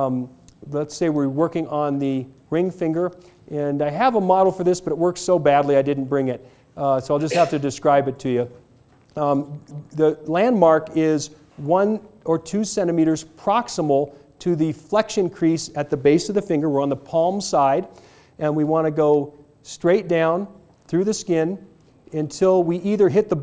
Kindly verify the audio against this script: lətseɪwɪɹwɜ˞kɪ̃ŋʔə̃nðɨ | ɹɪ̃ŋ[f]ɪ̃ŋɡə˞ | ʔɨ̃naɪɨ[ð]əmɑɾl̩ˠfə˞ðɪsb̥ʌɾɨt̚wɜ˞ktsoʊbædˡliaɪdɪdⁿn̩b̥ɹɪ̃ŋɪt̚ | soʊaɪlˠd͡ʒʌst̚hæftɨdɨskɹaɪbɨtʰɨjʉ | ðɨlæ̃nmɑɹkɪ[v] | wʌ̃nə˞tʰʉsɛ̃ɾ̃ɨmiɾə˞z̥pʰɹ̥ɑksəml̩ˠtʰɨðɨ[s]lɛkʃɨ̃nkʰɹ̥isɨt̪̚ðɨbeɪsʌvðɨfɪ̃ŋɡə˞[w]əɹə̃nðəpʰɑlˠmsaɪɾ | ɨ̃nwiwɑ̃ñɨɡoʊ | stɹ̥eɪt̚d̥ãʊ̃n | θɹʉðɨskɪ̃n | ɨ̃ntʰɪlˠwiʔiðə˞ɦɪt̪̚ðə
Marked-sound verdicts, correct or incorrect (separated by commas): correct, incorrect, incorrect, incorrect, correct